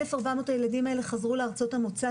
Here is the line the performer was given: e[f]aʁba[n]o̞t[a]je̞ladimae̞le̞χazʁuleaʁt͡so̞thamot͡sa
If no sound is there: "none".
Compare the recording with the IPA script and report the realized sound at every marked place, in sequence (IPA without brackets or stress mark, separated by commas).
f, m, a